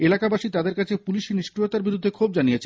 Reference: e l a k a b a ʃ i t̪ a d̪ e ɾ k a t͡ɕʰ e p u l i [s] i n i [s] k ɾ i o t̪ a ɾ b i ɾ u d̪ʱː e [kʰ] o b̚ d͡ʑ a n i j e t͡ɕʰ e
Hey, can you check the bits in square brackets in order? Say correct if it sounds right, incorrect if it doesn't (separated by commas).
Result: incorrect, incorrect, correct